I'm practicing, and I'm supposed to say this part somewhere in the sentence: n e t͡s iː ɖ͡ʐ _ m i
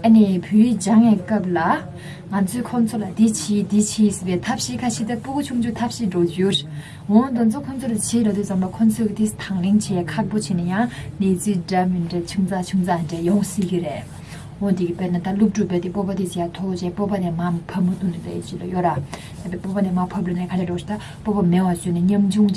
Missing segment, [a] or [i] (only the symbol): a